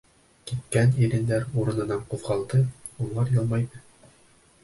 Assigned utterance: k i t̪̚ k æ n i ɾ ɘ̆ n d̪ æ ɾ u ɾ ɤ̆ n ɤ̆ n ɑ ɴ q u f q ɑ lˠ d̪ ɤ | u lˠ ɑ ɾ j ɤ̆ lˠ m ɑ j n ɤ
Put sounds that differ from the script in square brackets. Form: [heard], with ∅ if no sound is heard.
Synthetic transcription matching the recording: k i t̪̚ k æ n i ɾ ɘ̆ n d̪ æ ɾ u ɾ ɤ̆ n ɤ̆ n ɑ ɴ q u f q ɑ lˠ d̪ ɤ | u lˠ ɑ ɾ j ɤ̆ lˠ m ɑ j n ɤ